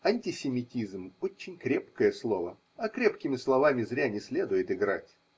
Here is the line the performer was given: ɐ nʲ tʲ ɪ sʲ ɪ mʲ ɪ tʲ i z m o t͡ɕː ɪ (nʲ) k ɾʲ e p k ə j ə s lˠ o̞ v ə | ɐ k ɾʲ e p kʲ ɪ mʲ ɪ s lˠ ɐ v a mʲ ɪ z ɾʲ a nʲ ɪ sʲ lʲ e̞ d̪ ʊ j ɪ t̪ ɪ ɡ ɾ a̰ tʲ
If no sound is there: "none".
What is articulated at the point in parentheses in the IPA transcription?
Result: nʲ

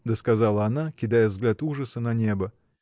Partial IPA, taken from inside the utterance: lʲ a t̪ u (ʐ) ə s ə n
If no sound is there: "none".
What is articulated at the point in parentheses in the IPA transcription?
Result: ʐ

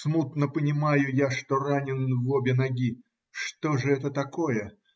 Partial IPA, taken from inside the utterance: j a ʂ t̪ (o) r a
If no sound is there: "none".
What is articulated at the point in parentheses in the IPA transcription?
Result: o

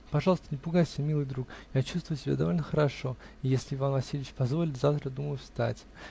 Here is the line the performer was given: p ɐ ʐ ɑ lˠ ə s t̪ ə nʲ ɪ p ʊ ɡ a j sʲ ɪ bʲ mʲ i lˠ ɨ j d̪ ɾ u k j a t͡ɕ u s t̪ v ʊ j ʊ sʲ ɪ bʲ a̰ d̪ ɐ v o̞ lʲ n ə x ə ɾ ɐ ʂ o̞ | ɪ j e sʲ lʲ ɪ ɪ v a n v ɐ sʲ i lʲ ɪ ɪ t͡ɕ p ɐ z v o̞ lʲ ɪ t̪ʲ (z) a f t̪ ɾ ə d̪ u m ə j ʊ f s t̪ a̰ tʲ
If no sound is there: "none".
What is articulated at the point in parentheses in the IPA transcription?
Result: z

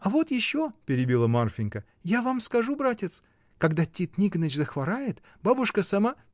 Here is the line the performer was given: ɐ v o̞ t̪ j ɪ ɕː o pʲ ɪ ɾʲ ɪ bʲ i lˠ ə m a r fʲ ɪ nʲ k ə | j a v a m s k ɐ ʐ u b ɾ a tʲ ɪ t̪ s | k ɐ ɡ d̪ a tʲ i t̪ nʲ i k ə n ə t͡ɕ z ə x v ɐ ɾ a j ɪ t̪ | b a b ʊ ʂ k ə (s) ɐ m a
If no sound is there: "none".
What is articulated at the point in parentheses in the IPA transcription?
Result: s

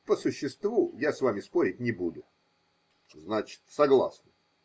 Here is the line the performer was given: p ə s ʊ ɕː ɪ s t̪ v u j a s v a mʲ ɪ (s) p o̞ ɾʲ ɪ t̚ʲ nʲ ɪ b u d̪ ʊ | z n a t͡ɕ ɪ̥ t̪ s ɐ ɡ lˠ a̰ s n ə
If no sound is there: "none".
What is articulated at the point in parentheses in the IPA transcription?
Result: s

